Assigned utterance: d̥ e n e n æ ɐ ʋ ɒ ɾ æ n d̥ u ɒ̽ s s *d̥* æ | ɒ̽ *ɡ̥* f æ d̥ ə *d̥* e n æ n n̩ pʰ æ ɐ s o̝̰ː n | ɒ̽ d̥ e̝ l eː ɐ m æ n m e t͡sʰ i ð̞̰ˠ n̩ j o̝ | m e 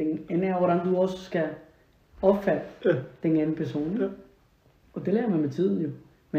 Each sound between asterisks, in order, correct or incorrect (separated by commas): incorrect, incorrect, correct